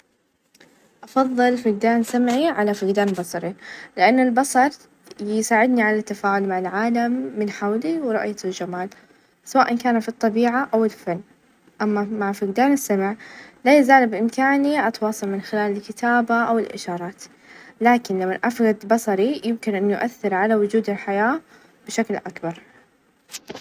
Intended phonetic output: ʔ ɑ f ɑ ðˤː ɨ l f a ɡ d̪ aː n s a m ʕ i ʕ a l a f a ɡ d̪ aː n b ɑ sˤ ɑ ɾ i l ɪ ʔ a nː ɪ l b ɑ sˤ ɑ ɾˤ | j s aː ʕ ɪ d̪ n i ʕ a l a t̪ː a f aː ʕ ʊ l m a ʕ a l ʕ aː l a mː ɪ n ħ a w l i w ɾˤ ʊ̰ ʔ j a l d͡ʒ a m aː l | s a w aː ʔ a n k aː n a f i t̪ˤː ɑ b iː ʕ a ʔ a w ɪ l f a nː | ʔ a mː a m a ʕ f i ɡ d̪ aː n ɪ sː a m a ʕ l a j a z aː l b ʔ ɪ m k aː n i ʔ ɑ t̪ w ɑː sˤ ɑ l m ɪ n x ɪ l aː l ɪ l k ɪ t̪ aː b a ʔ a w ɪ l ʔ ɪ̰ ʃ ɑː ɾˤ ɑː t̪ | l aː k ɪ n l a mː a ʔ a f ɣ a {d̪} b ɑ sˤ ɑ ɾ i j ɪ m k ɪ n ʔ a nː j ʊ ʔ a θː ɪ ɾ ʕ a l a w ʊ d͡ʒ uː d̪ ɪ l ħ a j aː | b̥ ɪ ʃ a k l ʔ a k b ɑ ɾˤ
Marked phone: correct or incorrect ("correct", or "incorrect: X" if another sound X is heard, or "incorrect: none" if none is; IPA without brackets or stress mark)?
correct